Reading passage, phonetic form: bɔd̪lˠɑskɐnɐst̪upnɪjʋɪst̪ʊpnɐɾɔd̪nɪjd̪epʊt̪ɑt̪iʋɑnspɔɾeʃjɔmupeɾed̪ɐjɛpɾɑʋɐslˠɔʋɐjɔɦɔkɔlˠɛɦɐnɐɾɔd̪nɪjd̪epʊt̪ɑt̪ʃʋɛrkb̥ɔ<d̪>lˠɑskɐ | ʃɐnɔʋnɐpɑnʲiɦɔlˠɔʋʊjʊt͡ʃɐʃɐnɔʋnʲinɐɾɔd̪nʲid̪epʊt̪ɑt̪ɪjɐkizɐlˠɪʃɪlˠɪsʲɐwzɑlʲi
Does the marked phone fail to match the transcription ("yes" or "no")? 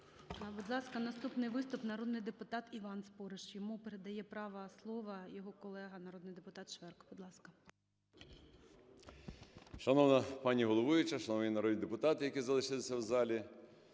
no